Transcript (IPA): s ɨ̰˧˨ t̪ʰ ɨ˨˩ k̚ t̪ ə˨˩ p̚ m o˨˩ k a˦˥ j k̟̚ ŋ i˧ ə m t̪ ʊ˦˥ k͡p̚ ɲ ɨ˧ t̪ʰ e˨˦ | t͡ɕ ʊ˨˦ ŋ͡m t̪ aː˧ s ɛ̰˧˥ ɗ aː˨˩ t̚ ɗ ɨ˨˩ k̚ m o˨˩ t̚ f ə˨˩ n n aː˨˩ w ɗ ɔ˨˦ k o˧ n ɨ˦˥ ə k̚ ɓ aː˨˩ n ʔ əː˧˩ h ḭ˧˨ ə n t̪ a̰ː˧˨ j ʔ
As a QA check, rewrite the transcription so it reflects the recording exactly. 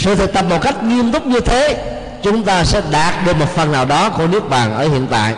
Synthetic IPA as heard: s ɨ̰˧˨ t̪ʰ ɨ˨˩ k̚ t̪ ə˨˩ p̚ m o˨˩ k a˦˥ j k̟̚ ŋ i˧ ə m t̪ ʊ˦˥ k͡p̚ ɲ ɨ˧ t̪ʰ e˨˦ | t͡ɕ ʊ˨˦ ŋ͡m t̪ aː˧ s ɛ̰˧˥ ɗ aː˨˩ t̚ ɗ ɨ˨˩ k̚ m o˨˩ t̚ f ə˨˩ n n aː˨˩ w ɗ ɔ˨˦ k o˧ n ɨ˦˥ ə k̚ ɓ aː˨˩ n ʔ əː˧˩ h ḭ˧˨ ə n t̪ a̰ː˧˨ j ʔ